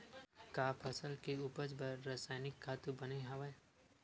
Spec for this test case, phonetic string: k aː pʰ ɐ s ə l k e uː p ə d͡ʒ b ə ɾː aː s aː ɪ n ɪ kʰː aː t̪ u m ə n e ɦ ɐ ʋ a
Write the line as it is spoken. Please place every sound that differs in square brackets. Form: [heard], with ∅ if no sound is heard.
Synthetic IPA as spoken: k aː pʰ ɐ s ə l k e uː p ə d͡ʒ b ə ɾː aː s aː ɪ n ɪ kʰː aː t̪ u [b] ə n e ɦ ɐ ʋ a